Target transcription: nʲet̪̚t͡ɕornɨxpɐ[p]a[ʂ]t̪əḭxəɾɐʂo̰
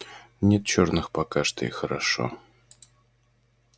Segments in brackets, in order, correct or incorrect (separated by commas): incorrect, correct